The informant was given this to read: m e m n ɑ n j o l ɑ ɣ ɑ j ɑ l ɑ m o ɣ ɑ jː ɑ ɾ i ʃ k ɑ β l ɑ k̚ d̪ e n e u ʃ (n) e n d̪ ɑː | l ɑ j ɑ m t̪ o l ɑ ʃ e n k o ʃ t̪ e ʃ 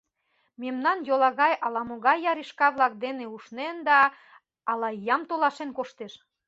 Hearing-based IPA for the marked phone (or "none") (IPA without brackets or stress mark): n